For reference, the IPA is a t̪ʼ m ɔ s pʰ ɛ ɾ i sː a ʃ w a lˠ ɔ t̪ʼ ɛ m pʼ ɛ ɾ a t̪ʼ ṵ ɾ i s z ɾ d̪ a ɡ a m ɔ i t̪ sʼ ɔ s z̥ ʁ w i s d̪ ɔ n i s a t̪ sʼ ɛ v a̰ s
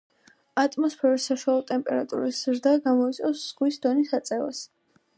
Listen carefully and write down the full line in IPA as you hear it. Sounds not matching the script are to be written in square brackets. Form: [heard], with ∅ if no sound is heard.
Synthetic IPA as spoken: a t̪ʼ m ɔ s pʰ ɛ ɾ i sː a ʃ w a lˠ ɔ t̪ʼ ɛ m pʼ ɛ ɾ a t̪ʼ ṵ ɾ i s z ɾ d̪ a ɡ a m ɔ i t̪ sʼ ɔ s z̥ ʁ w i s d̪ ɔ n i s a t̪ sʼ ɛ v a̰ s